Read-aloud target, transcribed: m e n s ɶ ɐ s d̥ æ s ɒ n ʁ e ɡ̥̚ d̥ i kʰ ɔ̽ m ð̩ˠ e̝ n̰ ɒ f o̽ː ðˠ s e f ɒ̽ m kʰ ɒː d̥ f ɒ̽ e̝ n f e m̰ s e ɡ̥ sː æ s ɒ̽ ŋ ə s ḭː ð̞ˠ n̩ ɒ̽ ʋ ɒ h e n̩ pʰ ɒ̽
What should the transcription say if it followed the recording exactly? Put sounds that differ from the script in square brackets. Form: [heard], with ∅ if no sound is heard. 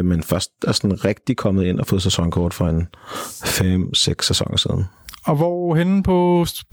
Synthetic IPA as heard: m e n [f] ɶ ɐ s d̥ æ s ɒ n ʁ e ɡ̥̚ d̥ i kʰ [ɒ̽] m ð̩ˠ e̝ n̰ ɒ f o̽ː ðˠ s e [s] ɒ̽ [ŋ] kʰ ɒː d̥ f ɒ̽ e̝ n f e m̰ s e ɡ̥ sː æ s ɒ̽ ŋ [ɐ] s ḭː ð̞ˠ n̩ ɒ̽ ʋ ɒ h e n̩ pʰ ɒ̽